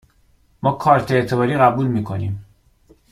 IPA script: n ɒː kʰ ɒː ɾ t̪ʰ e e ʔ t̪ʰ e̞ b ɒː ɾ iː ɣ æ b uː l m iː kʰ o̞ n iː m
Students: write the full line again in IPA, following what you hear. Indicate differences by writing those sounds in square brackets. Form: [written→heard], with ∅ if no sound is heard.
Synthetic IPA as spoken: [n→m] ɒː kʰ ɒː ɾ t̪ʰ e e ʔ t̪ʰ e̞ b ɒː ɾ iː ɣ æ b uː l m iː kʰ o̞ n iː m

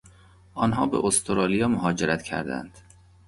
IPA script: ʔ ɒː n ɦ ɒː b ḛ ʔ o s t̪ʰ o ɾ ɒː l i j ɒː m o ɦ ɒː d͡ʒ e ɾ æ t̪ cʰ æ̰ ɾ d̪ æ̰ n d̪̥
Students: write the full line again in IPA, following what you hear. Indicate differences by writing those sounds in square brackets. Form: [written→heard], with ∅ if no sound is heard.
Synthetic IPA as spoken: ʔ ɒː n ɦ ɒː b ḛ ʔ o s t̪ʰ o ɾ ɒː l i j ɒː m o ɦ ɒː d͡ʒ e ɾ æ t̪ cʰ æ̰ ɾ d̪ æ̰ n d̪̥

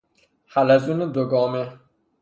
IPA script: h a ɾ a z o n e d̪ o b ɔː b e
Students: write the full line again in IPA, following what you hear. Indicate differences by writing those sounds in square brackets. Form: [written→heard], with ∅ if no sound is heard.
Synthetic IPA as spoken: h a [ɾ→l] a z [o→u] n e d̪ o [b→ɡ] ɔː [b→m] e

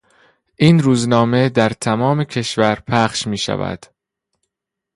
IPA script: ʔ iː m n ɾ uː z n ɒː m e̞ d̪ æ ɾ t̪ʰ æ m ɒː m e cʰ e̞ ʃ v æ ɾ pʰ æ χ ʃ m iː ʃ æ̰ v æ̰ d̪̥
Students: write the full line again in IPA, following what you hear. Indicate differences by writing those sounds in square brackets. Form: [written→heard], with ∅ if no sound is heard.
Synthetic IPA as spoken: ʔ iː [m→∅] n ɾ uː z n ɒː m e̞ d̪ æ ɾ t̪ʰ æ m ɒː m e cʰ e̞ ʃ v æ ɾ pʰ æ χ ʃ m iː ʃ æ̰ v æ̰ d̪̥

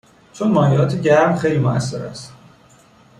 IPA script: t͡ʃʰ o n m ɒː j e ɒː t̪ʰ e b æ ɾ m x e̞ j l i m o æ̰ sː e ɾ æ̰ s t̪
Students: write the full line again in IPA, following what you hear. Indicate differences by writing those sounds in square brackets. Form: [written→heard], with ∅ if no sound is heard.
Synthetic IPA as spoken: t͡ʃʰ o n m ɒː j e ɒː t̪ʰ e [b→ɟ] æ ɾ m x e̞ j l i m o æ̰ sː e ɾ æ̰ s t̪

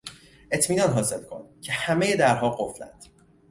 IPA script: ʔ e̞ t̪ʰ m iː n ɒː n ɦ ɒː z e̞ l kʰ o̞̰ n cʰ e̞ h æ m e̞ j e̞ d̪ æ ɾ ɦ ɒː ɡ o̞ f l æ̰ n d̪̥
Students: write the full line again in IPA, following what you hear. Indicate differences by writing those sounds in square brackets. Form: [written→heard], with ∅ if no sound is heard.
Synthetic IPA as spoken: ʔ e̞ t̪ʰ m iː n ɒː n ɦ ɒː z e̞ l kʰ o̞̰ n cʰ e̞ h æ m e̞ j e̞ d̪ æ ɾ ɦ ɒː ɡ o̞ f l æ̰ n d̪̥

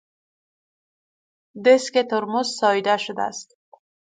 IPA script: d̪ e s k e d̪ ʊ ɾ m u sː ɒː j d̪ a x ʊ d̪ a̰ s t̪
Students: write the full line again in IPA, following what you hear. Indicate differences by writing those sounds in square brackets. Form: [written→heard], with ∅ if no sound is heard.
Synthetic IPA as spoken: d̪ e s k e [d̪→t̪] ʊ ɾ m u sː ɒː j d̪ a [x→ʃ] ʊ d̪ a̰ s t̪

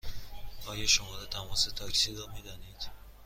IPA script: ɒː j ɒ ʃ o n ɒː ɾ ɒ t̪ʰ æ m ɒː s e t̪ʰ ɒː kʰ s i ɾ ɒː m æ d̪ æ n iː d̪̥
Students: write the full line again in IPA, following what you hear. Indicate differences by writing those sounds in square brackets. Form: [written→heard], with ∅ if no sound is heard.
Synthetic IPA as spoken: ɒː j ɒ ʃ o [n→m] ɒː ɾ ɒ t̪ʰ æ m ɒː s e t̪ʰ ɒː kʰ s i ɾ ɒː m [æ→i] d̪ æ n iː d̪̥

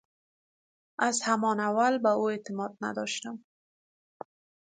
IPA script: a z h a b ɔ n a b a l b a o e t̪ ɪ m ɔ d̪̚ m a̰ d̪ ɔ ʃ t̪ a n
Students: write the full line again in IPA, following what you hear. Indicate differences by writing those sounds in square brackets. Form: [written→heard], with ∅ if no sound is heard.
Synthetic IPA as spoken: a z h a [b→m] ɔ n a [b→w] a l b a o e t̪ ɪ m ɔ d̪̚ [m→n] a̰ d̪ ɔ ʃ t̪ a [n→m]

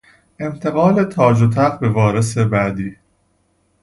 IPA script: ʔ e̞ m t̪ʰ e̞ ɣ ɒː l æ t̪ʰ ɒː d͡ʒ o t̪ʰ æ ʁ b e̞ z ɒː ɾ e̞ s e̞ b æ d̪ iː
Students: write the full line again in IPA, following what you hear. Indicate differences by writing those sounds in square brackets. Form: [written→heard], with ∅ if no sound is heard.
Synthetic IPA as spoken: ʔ e̞ m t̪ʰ e̞ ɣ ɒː l [æ→e] t̪ʰ ɒː d͡ʒ o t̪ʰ æ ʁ b e̞ [z→v] ɒː ɾ e̞ s e̞ b æ d̪ iː

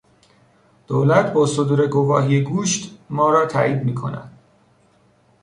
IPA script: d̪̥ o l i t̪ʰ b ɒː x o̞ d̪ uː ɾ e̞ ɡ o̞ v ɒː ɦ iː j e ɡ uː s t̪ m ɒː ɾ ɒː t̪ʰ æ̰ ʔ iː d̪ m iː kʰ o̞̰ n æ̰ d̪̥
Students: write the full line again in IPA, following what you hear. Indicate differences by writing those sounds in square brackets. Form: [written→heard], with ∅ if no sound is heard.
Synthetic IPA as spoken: d̪̥ o l [i→æ] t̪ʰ b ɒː [x→s] o̞ d̪ uː ɾ e̞ ɡ o̞ v ɒː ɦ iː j e ɡ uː [s→ʃ] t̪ m ɒː ɾ ɒː t̪ʰ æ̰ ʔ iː d̪ m iː kʰ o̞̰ n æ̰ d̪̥

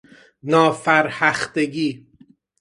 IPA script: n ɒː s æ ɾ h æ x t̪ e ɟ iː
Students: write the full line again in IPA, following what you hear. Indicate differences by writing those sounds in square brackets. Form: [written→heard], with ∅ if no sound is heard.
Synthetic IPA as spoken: n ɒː [s→f] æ ɾ h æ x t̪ e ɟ iː

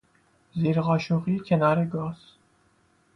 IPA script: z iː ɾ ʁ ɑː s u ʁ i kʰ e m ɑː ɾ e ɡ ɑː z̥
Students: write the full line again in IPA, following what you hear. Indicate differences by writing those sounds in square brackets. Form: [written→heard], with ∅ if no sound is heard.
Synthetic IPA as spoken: z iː ɾ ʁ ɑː [s→ʃ] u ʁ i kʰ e [m→n] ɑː ɾ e ɡ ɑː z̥

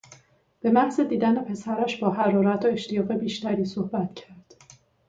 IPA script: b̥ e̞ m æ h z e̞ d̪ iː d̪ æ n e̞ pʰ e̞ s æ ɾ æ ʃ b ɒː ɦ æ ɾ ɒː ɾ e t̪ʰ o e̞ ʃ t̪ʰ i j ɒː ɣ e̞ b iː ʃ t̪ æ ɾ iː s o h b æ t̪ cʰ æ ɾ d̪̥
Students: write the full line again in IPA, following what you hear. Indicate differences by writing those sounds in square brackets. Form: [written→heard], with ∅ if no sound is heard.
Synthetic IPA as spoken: b̥ e̞ m æ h z e̞ d̪ iː d̪ æ n e̞ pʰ e̞ s æ ɾ æ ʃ b ɒː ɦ æ ɾ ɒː ɾ [e→æ] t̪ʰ o e̞ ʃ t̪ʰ i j ɒː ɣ e̞ b iː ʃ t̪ æ ɾ iː s o h b æ t̪ cʰ æ ɾ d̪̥

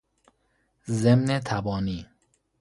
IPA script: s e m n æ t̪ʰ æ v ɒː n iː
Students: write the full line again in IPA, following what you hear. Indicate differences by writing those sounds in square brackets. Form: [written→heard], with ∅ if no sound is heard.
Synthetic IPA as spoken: [s→z] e m n [æ→e] t̪ʰ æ [v→b] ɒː n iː

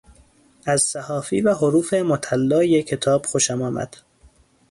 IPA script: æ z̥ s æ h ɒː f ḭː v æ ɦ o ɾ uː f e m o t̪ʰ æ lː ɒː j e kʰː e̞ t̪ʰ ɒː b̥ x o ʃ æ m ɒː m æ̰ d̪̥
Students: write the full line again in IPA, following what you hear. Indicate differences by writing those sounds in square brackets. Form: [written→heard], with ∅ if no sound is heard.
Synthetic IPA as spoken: æ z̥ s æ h ɒː f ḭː v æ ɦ o ɾ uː f e m o t̪ʰ æ lː ɒː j e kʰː e̞ t̪ʰ ɒː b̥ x o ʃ æ m ɒː m æ̰ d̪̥

